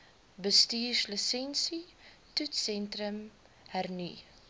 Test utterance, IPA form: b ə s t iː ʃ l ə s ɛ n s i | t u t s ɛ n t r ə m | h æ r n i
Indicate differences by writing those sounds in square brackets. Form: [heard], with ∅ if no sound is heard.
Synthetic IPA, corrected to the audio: b ə s t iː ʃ l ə s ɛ n s i | t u t s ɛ n t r ə m | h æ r n i